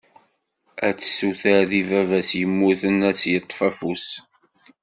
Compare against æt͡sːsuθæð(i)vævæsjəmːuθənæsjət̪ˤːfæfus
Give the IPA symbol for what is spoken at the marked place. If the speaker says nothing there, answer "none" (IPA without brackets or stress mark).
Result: i